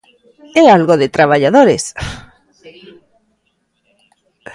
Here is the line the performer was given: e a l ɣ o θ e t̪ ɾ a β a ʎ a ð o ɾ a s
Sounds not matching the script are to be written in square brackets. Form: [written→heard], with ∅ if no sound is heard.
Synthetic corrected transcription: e a l ɣ o [θ→ð] e t̪ ɾ a β a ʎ a ð o ɾ [a→e] s